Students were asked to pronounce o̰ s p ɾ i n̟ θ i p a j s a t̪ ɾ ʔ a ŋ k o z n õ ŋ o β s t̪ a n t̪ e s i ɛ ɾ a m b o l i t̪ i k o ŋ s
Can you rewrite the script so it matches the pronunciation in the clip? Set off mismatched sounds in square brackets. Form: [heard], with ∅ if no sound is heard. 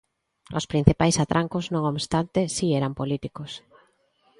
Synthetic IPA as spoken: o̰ s p ɾ i n̟ θ i p a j s a t̪ ɾ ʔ a ŋ k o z n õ ŋ o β s t̪ a n t̪ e s i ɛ ɾ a m [p] o l i t̪ i k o [∅] s